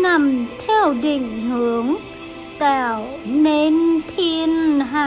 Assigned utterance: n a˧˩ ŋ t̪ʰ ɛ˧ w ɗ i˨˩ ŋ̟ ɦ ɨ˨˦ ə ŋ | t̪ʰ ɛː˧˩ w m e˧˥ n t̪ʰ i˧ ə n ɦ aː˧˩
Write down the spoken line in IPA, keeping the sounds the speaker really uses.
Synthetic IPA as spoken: n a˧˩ m t̪ʰ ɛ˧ w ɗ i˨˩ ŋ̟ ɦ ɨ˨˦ ə ŋ | t̪ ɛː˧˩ w n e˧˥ n t̪ʰ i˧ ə n ɦ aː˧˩